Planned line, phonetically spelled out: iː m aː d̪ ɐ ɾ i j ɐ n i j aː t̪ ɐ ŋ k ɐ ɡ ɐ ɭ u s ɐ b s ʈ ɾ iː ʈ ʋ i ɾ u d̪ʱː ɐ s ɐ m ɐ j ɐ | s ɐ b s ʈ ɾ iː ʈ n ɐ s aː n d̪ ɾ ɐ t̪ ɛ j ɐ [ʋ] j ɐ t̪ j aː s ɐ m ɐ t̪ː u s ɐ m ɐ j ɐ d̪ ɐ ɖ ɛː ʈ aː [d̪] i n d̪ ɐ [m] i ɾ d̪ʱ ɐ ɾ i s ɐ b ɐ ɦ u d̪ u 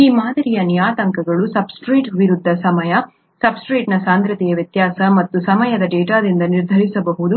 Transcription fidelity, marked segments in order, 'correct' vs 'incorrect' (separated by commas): correct, correct, incorrect